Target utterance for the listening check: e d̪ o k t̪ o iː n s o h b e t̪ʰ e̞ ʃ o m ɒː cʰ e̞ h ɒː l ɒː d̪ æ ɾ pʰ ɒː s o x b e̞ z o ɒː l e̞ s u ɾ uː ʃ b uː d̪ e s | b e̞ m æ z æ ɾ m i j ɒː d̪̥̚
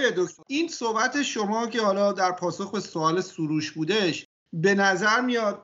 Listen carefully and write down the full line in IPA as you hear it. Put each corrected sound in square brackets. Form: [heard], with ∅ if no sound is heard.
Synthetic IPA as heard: e d̪ o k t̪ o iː n s o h b [æ] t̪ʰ e̞ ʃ o m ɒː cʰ e̞ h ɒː l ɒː d̪ æ ɾ pʰ ɒː s o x b e̞ [s] o ɒː l e̞ s u ɾ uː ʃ b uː d̪ e [ʃ] | b e̞ [n] æ z æ ɾ m i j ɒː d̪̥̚